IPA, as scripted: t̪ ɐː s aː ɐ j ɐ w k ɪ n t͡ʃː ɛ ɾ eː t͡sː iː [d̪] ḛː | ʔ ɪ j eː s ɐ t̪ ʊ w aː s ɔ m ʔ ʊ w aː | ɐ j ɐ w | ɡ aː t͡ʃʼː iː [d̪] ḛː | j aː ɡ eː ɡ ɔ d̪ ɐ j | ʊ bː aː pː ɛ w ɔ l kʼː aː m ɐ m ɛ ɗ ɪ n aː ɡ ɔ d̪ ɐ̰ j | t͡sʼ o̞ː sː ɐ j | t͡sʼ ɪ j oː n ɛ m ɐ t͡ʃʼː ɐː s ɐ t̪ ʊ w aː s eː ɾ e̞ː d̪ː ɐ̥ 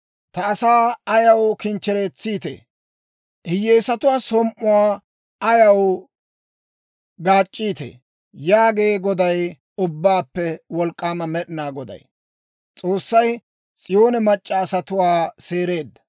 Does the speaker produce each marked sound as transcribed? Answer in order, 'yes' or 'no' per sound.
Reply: no, no

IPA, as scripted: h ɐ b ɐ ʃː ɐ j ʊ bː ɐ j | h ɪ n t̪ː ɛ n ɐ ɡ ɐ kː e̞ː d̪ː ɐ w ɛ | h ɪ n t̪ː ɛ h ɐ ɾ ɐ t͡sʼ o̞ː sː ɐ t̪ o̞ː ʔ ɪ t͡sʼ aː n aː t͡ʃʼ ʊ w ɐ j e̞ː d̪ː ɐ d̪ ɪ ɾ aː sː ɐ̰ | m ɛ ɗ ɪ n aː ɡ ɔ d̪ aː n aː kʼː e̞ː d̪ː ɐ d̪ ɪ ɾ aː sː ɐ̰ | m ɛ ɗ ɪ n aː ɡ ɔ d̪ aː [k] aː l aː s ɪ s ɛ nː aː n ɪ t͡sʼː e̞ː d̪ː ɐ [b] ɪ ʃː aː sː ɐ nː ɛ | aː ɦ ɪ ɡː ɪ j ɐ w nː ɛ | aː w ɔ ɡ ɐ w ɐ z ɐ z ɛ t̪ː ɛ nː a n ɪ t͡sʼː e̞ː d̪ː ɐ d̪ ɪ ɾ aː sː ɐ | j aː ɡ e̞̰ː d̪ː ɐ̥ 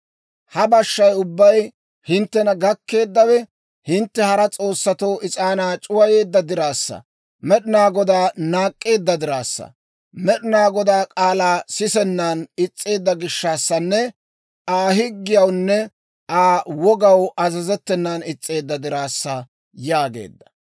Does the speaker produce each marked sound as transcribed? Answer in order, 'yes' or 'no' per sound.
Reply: no, no

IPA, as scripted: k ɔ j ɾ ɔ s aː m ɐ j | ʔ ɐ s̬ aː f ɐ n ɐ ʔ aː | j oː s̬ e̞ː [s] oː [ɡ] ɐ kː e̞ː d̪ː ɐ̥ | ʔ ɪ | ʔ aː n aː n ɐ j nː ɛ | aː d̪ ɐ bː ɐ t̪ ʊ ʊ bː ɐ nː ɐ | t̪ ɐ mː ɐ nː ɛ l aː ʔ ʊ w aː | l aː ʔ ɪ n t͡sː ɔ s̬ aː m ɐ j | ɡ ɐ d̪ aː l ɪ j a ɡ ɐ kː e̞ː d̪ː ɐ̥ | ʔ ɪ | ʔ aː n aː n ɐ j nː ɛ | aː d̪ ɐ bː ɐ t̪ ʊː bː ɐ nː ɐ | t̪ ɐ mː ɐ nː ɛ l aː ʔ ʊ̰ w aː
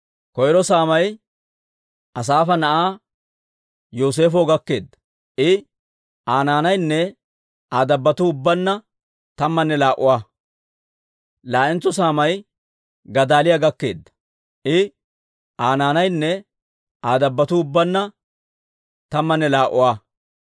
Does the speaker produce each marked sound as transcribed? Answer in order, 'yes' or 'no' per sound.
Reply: no, yes

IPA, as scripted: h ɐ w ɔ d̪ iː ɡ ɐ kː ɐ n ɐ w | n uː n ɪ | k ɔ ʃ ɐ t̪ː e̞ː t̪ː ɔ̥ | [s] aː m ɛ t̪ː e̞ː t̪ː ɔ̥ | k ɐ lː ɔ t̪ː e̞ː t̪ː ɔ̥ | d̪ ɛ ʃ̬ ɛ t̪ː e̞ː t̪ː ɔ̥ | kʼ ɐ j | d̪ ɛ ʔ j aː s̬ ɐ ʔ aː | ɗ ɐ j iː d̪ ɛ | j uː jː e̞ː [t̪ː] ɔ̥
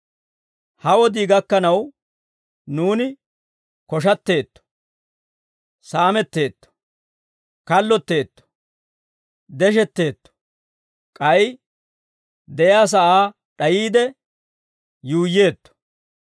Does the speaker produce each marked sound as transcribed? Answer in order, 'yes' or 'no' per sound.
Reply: yes, yes

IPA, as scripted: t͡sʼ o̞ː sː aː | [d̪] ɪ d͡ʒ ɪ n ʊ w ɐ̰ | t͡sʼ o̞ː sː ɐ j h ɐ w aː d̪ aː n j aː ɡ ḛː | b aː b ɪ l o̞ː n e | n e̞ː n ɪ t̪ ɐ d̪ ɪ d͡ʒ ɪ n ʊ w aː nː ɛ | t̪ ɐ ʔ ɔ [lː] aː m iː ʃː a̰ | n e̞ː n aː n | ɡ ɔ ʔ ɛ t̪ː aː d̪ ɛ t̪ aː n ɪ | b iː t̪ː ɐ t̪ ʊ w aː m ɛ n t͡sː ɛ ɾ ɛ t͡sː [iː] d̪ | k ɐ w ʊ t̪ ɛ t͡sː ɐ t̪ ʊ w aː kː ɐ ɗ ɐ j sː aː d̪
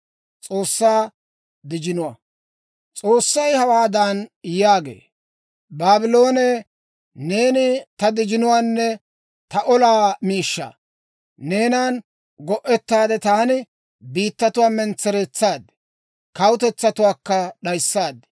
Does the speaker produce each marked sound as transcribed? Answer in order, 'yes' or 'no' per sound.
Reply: yes, no, no

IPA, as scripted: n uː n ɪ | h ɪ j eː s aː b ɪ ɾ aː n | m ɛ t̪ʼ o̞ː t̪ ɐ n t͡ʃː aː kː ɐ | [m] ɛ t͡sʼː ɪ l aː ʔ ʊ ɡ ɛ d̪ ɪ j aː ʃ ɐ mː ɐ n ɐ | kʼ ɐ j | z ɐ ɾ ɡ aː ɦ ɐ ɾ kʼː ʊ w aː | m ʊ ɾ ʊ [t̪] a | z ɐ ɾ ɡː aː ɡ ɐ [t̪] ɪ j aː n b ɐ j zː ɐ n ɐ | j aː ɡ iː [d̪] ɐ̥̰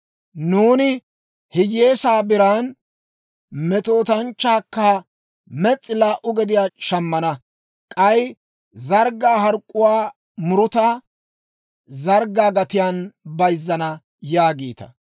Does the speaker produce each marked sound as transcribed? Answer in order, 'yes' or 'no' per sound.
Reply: yes, yes, yes, no

